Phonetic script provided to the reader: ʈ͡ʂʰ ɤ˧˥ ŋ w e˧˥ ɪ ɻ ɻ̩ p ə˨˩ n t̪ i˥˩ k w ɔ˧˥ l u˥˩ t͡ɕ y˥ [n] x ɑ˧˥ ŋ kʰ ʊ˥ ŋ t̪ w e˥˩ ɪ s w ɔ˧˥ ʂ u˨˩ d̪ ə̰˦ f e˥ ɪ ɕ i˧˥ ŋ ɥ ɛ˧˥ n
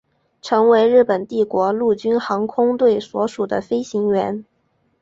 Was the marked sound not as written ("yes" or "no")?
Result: no